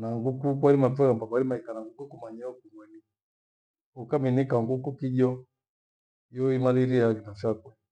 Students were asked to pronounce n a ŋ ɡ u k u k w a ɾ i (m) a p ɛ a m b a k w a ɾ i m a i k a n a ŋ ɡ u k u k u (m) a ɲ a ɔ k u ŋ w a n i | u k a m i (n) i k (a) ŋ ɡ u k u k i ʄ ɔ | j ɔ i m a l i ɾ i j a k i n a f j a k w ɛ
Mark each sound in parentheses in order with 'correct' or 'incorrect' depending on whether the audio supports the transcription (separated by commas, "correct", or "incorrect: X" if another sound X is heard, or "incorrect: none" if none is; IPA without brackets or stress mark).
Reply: correct, correct, correct, correct